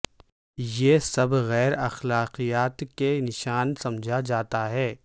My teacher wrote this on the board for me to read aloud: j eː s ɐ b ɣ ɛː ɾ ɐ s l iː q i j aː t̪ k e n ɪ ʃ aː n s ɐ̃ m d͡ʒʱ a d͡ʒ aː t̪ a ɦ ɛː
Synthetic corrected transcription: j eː s ɐ b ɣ ɛː ɾ ɐ x l aː q i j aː t̪ k e n ɪ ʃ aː n s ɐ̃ m d͡ʒʱ a d͡ʒ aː t̪ a ɦ ɛː